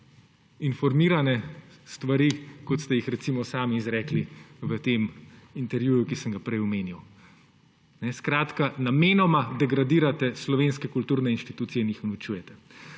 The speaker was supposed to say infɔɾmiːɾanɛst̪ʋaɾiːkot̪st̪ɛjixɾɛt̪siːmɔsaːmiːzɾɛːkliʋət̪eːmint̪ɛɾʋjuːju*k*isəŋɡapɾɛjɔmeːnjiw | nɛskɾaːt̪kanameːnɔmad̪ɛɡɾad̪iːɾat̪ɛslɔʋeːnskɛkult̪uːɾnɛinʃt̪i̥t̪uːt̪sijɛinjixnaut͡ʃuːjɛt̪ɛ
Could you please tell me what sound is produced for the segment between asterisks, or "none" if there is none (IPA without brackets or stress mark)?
k